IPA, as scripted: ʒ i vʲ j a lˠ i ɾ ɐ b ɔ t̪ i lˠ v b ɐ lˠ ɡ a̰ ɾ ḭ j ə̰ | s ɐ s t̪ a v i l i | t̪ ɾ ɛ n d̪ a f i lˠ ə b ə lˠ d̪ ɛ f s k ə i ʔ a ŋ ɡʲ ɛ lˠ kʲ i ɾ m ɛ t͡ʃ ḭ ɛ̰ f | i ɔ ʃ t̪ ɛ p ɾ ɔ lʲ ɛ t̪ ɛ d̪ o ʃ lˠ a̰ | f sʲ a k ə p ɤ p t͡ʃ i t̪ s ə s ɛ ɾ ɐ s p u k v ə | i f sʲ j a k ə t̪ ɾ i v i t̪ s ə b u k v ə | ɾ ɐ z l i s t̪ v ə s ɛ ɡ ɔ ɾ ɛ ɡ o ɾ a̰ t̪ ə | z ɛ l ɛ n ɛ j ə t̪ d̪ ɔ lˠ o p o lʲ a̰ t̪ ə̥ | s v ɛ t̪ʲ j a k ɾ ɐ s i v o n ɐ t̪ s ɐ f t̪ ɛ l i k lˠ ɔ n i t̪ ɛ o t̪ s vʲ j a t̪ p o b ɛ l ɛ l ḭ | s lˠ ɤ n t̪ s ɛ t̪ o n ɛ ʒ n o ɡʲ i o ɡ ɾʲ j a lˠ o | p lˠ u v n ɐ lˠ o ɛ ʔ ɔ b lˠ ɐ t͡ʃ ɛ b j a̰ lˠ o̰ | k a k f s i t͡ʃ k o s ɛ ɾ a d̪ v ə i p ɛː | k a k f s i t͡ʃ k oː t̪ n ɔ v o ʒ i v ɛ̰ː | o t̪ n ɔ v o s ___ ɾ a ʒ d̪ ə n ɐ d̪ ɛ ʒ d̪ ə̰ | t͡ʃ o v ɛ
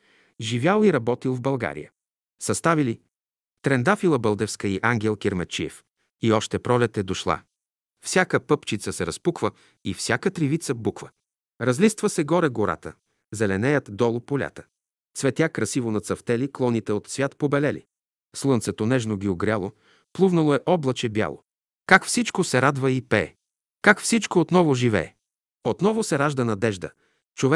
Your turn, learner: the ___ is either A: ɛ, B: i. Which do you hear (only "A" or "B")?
A